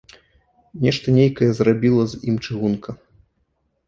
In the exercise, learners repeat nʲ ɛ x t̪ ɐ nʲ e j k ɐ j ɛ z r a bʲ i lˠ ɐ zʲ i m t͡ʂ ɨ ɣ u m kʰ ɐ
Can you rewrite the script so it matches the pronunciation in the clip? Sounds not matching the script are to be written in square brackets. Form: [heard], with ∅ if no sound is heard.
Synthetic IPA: nʲ ɛ [ʂ] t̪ ɐ nʲ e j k ɐ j ɛ z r a bʲ i lˠ ɐ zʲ i m t͡ʂ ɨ ɣ u [n] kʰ ɐ

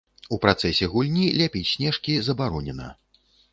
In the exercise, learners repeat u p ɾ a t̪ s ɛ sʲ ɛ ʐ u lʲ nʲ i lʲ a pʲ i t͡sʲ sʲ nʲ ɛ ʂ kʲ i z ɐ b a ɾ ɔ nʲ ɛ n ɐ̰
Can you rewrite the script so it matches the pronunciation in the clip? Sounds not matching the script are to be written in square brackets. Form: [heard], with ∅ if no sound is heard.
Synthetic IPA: u p ɾ a t̪ s ɛ sʲ ɛ [ɣ] u lʲ nʲ i lʲ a pʲ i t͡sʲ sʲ nʲ ɛ ʂ kʲ i z ɐ b a ɾ ɔ nʲ ɛ n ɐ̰

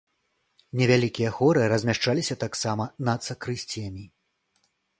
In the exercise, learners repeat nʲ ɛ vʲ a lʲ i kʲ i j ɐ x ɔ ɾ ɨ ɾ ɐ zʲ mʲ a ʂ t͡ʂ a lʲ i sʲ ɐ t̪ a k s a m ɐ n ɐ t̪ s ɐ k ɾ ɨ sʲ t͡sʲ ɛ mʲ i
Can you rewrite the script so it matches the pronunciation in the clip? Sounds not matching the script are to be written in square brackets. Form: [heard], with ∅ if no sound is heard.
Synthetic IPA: nʲ ɛ vʲ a lʲ i kʲ i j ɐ x ɔ ɾ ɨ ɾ ɐ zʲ mʲ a ʂ t͡ʂ a lʲ i sʲ ɐ t̪ a k s a m ɐ n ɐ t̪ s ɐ k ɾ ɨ sʲ t͡sʲ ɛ mʲ i

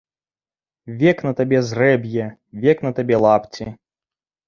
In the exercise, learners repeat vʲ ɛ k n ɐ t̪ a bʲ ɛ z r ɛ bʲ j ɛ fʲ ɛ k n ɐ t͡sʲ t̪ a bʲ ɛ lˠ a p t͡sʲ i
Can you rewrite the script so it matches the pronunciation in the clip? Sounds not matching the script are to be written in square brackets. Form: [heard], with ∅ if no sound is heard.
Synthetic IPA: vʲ ɛ k n ɐ t̪ a bʲ ɛ z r ɛ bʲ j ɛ [vʲ] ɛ k n ɐ [∅] t̪ a bʲ ɛ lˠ a p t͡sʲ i

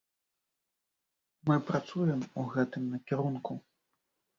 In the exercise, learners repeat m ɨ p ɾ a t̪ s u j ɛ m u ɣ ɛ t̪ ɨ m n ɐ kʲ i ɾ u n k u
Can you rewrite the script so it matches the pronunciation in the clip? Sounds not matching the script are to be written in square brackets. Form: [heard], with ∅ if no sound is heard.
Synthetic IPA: m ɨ p ɾ a t̪ s u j ɛ m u ɣ ɛ t̪ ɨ m n ɐ kʲ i ɾ u n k u

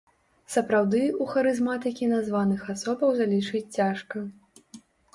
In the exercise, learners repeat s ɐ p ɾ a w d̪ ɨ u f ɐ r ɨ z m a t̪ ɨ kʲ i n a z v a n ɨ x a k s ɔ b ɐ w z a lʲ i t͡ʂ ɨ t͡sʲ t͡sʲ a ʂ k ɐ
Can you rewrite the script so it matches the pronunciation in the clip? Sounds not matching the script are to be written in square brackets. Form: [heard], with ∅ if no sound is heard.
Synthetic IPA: s ɐ p ɾ a w d̪ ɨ u [x] ɐ [ɾ] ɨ z m a t̪ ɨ kʲ i n a z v a n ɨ x a [∅] s ɔ b ɐ w z a lʲ i t͡ʂ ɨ t͡sʲ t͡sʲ a ʂ k ɐ

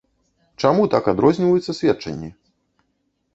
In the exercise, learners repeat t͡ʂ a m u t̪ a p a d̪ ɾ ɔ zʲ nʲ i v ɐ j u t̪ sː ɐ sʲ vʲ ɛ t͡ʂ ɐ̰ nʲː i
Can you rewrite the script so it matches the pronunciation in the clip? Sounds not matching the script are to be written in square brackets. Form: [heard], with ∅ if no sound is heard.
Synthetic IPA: t͡ʂ a m u t̪ a [k] a d̪ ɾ ɔ zʲ nʲ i v ɐ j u t̪ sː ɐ sʲ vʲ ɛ t͡ʂ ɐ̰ nʲː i

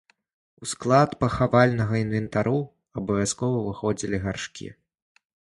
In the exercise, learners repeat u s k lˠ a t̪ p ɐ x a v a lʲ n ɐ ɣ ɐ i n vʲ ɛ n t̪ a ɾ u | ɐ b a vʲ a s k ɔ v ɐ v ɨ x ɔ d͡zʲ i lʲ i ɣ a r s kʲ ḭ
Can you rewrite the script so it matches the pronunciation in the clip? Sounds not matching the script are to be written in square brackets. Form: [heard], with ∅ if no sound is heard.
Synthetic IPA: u s k lˠ a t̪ p ɐ x a v a lʲ n ɐ ɣ ɐ i n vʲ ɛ n t̪ a ɾ u | ɐ b [ɐ] vʲ a s k ɔ v ɐ v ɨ x ɔ d͡zʲ i lʲ i ɣ a r [ʂ] kʲ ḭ

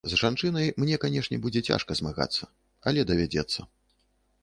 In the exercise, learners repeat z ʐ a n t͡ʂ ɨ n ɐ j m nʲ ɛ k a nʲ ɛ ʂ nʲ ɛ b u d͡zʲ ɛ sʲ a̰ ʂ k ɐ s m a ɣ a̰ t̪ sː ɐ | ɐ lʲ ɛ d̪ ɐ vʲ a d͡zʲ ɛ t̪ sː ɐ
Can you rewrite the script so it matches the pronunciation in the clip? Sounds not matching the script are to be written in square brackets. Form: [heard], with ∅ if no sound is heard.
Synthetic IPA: z ʐ a n t͡ʂ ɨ n ɐ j m nʲ ɛ k a nʲ ɛ ʂ nʲ ɛ b u d͡zʲ ɛ [t͡sʲ] a̰ ʂ k ɐ [z] m a ɣ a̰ t̪ sː ɐ | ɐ lʲ ɛ d̪ ɐ vʲ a d͡zʲ ɛ t̪ sː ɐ

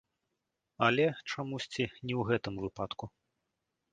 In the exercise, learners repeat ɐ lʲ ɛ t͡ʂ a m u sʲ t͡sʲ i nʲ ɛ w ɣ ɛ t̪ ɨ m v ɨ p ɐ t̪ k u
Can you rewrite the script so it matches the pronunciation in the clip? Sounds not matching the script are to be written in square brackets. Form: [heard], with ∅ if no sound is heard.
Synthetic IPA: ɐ lʲ ɛ t͡ʂ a m u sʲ t͡sʲ i nʲ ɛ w ɣ ɛ t̪ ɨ m v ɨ p [a] t̪ k u

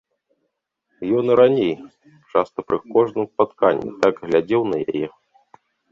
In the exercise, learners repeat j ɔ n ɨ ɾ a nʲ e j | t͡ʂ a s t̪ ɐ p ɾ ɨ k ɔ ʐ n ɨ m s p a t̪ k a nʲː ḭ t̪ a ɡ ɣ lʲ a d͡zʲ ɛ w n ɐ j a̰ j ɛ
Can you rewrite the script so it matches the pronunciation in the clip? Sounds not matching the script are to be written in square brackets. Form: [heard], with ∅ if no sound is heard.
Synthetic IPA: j ɔ n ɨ ɾ a nʲ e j | t͡ʂ a s t̪ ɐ p ɾ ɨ k ɔ ʐ n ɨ m s p a t̪ k a nʲː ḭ t̪ a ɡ ɣ lʲ a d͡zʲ ɛ w n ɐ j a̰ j ɛ

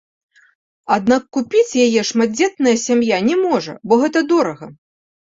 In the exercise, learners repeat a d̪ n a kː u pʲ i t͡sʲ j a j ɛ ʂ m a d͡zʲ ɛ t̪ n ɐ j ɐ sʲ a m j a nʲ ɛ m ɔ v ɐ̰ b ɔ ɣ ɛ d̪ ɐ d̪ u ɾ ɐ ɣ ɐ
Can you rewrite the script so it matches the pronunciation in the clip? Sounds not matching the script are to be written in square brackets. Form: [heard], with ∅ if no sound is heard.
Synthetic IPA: a d̪ n a kː u pʲ i t͡sʲ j a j ɛ ʂ m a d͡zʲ ɛ t̪ n ɐ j ɐ sʲ a m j a nʲ ɛ m ɔ [ʐ] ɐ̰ b ɔ ɣ ɛ [t̪] ɐ d̪ [ɔ] ɾ ɐ ɣ ɐ

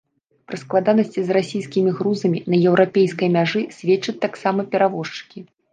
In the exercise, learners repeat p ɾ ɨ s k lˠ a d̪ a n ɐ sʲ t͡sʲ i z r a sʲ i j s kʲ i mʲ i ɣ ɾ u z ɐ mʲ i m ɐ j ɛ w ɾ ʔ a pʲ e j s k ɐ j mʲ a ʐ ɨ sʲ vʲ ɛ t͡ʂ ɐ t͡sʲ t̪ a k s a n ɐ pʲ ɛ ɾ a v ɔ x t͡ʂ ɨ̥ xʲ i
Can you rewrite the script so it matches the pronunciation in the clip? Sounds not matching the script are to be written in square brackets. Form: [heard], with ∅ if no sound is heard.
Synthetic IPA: p ɾ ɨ s k lˠ a d̪ a n ɐ sʲ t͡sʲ i z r a sʲ i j s kʲ i mʲ i ɣ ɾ u z ɐ mʲ i [n] ɐ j ɛ w ɾ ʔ a pʲ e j s k ɐ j mʲ a ʐ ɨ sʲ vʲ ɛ t͡ʂ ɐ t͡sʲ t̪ a k s a [m] ɐ pʲ ɛ ɾ a v ɔ [ʂ] t͡ʂ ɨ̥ [kʲ] i

